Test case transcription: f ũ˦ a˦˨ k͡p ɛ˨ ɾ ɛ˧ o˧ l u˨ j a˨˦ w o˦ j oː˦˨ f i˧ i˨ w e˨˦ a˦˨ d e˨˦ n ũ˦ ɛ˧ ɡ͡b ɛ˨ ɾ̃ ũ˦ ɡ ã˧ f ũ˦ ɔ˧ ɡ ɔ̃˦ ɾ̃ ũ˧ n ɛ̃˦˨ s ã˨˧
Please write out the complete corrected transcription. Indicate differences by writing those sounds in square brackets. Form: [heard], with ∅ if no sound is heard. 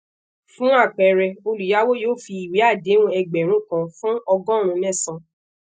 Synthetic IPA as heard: f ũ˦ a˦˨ k͡p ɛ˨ ɾ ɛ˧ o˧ l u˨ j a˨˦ w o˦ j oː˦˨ f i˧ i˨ w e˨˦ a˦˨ d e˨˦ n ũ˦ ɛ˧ ɡ͡b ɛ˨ ɾ̃ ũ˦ [k] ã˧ f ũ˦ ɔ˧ ɡ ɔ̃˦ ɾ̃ ũ˧ n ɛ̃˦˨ s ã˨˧